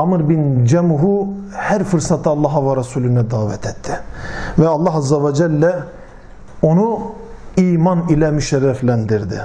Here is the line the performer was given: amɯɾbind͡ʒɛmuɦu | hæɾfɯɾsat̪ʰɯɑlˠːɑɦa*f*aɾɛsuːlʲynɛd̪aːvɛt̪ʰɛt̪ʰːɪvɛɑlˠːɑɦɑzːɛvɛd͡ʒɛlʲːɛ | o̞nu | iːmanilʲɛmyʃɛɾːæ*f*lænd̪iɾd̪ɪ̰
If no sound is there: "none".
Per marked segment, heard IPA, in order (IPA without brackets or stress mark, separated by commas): v, f